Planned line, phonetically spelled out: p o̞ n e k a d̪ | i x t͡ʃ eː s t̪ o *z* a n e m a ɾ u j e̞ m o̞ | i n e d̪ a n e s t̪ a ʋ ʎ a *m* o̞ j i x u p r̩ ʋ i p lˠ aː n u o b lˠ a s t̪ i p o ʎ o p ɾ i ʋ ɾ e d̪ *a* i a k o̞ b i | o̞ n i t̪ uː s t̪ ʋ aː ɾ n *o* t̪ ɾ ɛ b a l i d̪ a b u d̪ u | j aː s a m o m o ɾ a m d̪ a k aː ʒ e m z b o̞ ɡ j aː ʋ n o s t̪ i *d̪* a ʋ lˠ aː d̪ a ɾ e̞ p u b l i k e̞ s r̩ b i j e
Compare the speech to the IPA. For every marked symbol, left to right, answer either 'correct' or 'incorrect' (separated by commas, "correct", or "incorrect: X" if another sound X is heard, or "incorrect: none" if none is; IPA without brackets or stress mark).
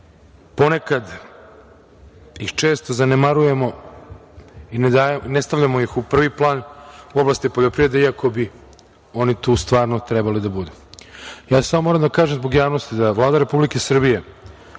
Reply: correct, correct, incorrect: e, correct, correct